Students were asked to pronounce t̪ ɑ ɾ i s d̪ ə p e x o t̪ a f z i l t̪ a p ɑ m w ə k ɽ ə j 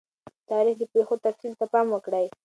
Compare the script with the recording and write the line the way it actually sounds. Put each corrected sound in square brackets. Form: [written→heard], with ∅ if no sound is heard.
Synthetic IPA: t̪ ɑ ɾ i [s→x] d̪ ə p e x o t̪ a f [z→s] i l t̪ a p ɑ m w ə k ɽ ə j

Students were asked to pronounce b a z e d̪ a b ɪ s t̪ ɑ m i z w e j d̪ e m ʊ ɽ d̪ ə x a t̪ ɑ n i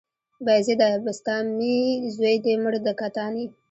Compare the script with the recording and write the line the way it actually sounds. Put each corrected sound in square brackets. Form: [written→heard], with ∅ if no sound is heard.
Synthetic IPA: b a z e d̪ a b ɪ s t̪ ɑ m i z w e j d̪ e m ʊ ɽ d̪ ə [x→k] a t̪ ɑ n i

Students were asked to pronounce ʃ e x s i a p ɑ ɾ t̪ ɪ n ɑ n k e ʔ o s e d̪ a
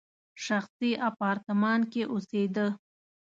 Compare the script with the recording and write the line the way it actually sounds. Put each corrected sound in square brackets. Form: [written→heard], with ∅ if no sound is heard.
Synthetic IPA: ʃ [e→a] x s i a p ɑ ɾ t̪ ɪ [n→m] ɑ n k e ʔ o s e d̪ [a→ə]

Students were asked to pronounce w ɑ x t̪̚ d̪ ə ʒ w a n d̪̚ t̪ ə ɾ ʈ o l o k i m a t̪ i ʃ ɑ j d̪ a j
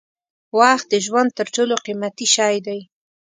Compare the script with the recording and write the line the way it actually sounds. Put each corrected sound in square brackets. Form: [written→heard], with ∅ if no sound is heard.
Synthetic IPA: w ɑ x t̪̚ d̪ ə ʒ w a n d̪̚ t̪ ə ɾ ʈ o l o [k→q] i m a t̪ i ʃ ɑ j d̪ a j

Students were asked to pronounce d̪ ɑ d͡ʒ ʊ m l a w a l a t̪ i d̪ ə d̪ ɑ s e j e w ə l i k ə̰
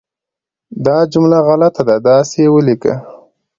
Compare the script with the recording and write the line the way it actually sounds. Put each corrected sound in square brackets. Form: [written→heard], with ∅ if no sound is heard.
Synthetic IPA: d̪ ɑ d͡ʒ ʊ m l a [w→ɣ] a l a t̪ [i→a] d̪ [ə→a] d̪ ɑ s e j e w ə l i k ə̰

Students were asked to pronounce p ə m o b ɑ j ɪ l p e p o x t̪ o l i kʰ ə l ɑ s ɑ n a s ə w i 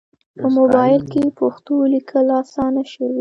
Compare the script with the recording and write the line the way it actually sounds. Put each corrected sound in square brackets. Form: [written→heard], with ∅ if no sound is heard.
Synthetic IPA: p ə m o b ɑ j ɪ l [p→k] e p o x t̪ o l i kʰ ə l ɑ s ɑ n a [s→ʃ] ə w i

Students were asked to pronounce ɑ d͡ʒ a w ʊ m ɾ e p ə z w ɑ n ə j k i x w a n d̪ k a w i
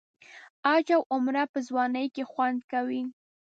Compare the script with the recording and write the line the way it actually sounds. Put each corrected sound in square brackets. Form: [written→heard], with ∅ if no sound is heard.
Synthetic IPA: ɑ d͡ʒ a w ʊ m ɾ [e→a] p ə z w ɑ n ə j k [i→e] x w a n d̪ k a w i

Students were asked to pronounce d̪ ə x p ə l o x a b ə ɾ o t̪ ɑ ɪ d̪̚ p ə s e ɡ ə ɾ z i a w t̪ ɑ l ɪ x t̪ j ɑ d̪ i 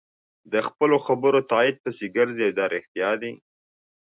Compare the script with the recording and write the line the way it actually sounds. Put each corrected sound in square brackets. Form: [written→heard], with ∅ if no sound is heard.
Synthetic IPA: d̪ ə x p ə l o x a b ə ɾ o t̪ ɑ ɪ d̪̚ p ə s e ɡ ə ɾ z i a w [t̪→d̪] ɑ [l→ɾ] ɪ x t̪ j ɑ d̪ i

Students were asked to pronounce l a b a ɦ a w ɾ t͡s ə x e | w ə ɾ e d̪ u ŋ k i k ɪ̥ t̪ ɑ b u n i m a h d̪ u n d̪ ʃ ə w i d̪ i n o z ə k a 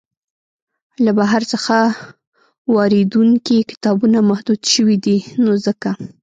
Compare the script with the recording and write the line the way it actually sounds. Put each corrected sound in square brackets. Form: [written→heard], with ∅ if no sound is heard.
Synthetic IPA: l a b a ɦ a [w→∅] ɾ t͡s ə x [e→a] | w [ə→ɑ] ɾ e d̪ u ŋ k i k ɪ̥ t̪ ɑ b u n [i→a] m a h d̪ u [n→∅] d̪ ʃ ə w i d̪ i n o z ə k a

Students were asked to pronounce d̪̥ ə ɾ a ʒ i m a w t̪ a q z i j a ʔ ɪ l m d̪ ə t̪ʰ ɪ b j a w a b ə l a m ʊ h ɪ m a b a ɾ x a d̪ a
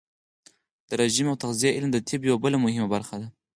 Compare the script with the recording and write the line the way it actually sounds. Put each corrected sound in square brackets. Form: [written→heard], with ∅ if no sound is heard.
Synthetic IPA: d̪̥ ə ɾ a ʒ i m a w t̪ a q z i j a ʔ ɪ l m d̪ ə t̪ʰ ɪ b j a w a b ə l a m ʊ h ɪ m a b a ɾ x a d̪ a

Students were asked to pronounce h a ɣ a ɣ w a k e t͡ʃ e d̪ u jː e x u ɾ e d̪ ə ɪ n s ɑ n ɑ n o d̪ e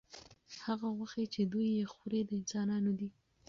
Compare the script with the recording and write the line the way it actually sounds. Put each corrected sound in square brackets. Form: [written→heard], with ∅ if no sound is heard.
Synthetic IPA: h a ɣ a ɣ w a [k→x] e t͡ʃ e d̪ u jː e x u ɾ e d̪ ə ɪ n s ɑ n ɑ n o d̪ [e→i]

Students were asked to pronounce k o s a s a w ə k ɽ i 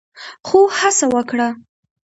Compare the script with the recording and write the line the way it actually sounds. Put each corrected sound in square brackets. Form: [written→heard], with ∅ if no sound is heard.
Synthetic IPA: [k→x] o [s→h] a s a w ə k ɽ [i→a]

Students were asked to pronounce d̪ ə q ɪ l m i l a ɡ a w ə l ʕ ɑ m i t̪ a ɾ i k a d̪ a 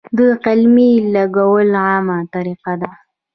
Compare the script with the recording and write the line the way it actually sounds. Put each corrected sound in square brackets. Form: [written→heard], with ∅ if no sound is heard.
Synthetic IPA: d̪ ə q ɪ l m i l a ɡ a w ə l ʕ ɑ m [i→a] t̪ a ɾ i [k→q] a d̪ a

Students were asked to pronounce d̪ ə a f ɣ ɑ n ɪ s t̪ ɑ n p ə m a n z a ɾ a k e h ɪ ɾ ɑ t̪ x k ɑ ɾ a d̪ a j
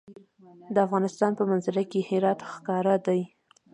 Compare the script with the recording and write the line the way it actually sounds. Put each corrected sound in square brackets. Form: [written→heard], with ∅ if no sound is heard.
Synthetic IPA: d̪ ə a f ɣ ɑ n ɪ s t̪ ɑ n p ə m a n z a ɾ a k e h ɪ ɾ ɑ t̪ x k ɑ ɾ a d̪ a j

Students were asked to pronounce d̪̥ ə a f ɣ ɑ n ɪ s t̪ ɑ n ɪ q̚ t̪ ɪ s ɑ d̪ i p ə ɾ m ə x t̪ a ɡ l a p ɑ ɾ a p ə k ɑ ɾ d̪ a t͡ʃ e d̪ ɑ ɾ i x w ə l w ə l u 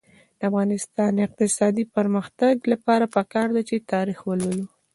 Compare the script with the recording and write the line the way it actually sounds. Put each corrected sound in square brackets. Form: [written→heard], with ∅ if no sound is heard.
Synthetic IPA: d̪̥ ə a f ɣ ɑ n ɪ s t̪ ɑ n ɪ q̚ t̪ ɪ s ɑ d̪ i p ə ɾ m ə x t̪ a ɡ l a p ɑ ɾ a p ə k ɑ ɾ d̪ a t͡ʃ e [d̪→t̪] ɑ ɾ i x w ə l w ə l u

